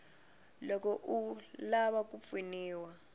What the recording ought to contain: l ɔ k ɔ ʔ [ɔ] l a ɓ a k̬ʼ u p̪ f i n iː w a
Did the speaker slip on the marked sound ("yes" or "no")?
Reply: yes